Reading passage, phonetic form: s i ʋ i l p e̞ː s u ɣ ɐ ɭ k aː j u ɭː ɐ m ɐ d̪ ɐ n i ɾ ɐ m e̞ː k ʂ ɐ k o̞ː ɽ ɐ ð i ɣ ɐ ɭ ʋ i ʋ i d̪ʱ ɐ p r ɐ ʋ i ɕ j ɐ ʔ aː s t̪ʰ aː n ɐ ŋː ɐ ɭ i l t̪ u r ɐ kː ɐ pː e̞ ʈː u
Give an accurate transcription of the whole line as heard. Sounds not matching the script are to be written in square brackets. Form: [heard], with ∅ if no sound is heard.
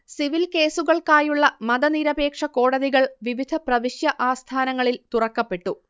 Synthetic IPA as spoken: s i ʋ i l [k] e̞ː s u ɣ ɐ ɭ k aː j u ɭː ɐ m ɐ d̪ ɐ n i ɾ ɐ [b] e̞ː k ʂ ɐ k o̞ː ɽ ɐ ð i ɣ ɐ ɭ ʋ i ʋ i d̪ʱ ɐ p r ɐ ʋ i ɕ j ɐ ʔ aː s t̪ʰ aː n ɐ ŋː ɐ ɭ i l t̪ u r ɐ kː ɐ pː e̞ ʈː u